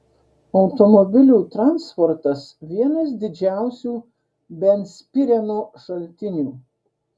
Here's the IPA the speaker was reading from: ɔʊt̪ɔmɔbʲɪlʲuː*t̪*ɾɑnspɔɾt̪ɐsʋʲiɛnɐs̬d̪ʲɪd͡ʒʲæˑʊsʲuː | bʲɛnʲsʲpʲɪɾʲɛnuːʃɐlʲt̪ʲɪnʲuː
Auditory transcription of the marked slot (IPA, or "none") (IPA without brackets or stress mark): t̪